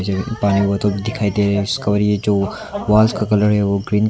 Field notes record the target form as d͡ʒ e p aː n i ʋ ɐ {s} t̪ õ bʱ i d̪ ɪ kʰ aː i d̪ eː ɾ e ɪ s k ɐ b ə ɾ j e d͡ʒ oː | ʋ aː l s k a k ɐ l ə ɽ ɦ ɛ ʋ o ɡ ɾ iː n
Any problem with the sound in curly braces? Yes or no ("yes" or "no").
yes